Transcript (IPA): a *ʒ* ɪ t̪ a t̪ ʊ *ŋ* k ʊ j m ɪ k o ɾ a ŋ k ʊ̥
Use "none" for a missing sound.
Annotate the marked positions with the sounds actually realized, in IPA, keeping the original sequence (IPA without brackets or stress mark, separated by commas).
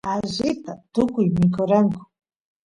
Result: ʒ, none